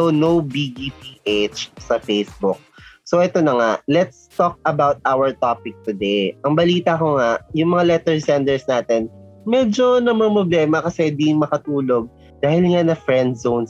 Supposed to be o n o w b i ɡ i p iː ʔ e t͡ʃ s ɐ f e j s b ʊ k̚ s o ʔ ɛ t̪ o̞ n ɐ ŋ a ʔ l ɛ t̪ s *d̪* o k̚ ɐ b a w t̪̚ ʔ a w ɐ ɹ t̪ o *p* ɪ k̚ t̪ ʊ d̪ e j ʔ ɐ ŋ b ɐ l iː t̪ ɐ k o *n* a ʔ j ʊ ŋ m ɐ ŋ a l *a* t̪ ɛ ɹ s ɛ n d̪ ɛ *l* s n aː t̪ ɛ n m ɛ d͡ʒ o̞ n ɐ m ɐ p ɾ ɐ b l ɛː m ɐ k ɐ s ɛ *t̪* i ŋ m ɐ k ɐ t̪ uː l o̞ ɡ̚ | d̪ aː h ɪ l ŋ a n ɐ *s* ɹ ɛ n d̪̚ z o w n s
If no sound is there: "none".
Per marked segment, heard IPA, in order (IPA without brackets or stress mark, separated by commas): t̪, p, ŋ, ɛ, ɹ, d̪, f